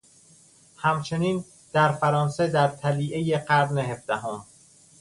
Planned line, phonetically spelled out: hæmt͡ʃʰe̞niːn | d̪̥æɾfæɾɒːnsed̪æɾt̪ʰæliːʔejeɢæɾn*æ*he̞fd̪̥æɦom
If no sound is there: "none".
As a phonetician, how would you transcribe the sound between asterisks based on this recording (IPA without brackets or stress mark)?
e